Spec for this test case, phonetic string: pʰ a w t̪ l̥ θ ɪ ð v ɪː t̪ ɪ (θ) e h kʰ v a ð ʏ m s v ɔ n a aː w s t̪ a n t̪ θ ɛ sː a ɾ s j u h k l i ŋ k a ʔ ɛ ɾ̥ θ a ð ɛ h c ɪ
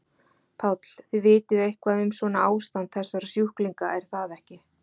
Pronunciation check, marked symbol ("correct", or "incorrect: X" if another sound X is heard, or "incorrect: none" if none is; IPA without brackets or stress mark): incorrect: ð